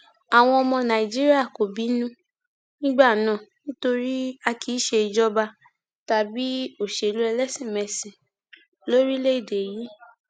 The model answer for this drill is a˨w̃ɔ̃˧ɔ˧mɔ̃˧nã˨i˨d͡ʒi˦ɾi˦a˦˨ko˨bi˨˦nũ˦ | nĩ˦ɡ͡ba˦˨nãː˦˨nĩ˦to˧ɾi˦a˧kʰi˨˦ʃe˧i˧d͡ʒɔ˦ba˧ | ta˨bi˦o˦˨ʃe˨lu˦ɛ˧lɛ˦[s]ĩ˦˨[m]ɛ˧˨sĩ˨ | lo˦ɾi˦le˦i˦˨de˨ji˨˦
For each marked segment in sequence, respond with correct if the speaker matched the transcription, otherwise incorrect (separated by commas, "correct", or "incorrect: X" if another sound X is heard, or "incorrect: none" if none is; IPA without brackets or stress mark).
correct, correct